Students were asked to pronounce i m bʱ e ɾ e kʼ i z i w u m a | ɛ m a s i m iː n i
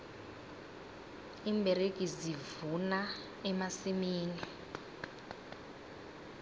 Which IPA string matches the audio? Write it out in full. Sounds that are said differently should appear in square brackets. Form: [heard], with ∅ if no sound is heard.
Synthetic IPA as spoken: i m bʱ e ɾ e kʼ i z i [v] u [n] a | ɛ m a s i m iː n i